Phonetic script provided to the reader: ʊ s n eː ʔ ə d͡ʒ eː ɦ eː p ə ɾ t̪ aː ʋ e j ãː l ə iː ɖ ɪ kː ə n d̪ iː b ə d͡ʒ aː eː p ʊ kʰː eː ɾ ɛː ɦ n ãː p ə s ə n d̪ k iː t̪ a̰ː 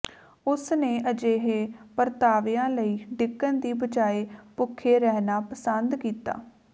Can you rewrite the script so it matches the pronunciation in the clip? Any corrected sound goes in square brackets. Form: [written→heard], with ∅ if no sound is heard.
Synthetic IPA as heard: ʊ s n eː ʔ ə d͡ʒ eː ɦ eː p ə ɾ t̪ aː ʋ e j ãː l ə iː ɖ ɪ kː ə n d̪ iː b ə d͡ʒ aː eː p ʊ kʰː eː ɾ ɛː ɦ n [ãː→aː] p ə s ə n d̪ k iː t̪ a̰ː